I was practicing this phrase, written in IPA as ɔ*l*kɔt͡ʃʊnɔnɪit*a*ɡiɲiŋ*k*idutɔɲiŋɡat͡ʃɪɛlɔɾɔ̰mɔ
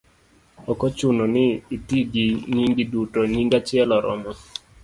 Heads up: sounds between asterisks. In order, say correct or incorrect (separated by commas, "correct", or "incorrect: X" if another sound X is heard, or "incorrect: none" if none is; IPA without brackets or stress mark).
incorrect: none, incorrect: i, incorrect: ɡ